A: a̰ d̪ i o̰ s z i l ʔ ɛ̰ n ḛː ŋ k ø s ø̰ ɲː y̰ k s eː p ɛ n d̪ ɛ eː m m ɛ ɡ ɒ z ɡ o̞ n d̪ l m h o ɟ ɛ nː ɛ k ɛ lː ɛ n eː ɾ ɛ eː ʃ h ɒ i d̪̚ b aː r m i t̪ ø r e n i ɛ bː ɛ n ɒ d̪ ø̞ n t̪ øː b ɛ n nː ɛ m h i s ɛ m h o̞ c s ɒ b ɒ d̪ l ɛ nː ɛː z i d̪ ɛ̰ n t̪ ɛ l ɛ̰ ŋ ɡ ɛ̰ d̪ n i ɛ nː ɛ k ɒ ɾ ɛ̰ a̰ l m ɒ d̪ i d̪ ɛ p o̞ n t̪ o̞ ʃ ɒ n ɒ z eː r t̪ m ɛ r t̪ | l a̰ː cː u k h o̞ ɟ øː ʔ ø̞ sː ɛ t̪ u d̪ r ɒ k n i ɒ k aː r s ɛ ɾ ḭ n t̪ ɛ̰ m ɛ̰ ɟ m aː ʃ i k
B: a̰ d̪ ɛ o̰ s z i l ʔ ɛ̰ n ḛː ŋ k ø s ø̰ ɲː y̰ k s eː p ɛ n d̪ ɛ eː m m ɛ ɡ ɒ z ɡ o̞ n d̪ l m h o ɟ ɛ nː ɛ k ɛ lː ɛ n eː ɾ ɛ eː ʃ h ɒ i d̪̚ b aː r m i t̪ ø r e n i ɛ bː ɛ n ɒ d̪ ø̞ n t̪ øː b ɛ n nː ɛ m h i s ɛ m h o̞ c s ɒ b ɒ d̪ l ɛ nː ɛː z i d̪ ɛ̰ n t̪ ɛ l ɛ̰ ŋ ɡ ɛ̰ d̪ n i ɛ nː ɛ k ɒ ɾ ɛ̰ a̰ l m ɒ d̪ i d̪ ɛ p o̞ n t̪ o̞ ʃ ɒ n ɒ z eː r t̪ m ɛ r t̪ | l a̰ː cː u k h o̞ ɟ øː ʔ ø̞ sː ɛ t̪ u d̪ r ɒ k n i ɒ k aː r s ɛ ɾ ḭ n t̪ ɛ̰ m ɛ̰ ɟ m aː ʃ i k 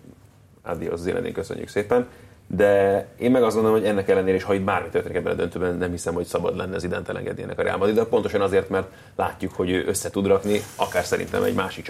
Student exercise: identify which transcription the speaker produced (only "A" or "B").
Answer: A